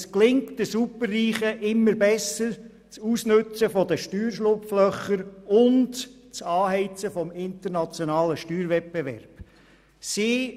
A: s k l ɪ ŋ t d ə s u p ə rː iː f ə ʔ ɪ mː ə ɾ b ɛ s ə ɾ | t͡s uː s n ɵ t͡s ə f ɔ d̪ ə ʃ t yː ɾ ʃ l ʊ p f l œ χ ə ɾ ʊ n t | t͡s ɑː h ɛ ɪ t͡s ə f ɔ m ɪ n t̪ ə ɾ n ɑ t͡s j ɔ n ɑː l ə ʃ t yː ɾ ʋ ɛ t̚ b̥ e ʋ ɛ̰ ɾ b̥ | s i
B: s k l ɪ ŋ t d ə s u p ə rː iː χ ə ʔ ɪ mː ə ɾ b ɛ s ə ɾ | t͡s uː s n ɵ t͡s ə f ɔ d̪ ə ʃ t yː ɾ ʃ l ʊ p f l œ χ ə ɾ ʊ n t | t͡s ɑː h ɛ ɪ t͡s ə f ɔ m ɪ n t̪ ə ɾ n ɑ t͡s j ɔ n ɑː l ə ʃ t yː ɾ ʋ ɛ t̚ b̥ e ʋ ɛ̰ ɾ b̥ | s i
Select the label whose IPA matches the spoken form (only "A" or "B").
B